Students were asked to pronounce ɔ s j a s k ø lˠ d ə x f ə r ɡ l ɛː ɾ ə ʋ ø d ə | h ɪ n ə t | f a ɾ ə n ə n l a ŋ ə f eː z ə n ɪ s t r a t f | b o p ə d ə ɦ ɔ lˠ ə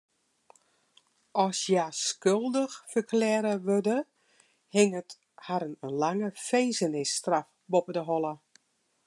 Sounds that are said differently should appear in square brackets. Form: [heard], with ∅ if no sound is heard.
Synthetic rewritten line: ɔ s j a s k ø lˠ d ə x f ə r [k] l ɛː ɾ ə ʋ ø d ə | h ɪ [ŋ] ə t | [h] a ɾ ə n ə n l a ŋ ə f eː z ə n ɪ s t r a [∅] f | b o p ə d ə ɦ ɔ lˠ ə